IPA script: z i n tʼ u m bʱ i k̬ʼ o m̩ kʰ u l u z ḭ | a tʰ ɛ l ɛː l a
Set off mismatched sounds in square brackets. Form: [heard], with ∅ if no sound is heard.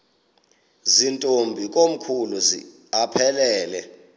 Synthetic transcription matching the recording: z i n tʼ [o] m bʱ i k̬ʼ o m̩ kʰ u l u z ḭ | a [pʰ] ɛ l ɛː l [ɛ]